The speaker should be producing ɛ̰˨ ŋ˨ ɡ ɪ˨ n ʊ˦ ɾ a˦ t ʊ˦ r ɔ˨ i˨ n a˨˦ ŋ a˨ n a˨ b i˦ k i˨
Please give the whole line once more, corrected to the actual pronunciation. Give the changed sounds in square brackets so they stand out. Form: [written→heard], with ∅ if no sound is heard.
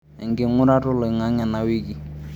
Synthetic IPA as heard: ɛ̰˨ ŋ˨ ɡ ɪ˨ [n→ŋ] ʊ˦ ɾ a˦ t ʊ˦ [r→l] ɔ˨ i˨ [n→ŋ] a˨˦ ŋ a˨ n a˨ [b→w] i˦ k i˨